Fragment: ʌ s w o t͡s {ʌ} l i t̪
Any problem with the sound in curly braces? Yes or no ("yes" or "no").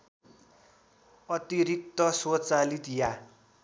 yes